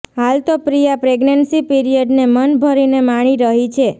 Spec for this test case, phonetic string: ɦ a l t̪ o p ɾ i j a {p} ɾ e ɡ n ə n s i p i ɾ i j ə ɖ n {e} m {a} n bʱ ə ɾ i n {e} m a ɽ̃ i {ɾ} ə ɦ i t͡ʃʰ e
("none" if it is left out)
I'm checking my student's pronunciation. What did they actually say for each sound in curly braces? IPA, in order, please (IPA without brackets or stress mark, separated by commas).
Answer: p, e, ə, e, ɾ